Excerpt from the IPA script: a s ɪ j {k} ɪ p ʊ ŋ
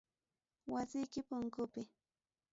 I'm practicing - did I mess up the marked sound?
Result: no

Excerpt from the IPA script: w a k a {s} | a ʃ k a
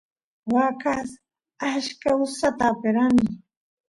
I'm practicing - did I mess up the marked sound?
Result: no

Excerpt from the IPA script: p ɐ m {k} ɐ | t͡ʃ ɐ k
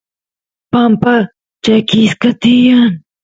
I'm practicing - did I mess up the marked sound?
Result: yes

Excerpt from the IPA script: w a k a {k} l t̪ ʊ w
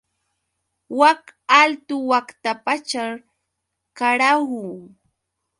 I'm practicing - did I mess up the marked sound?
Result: yes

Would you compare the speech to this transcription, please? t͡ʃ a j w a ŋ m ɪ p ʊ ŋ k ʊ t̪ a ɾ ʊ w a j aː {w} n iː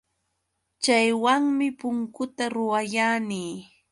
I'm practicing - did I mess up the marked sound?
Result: yes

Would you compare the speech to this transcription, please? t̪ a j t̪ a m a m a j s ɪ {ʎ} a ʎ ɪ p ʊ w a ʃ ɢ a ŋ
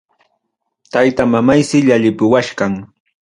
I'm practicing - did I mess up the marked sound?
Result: no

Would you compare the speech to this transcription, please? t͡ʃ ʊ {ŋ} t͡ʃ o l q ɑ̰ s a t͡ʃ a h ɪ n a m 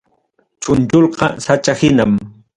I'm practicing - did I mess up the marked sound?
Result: yes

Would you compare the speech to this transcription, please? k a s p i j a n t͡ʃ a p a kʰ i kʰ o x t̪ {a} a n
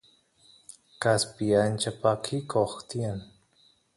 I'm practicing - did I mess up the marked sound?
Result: yes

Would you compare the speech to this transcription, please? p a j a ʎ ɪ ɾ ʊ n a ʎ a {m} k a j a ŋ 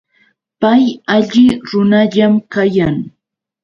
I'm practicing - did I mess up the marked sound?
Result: no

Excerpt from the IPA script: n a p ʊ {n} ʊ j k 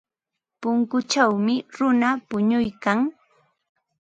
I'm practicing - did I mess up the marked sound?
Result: yes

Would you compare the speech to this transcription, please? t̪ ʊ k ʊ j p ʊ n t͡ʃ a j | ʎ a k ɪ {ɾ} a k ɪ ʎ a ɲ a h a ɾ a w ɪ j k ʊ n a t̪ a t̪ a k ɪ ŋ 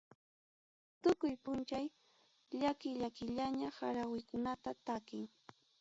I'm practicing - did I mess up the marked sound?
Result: yes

